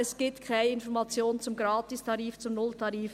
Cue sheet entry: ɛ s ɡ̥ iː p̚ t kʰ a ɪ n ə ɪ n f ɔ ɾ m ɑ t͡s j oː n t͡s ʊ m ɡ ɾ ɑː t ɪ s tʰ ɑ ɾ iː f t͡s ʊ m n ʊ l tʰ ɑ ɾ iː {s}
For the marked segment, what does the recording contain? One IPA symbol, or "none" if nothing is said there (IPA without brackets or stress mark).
f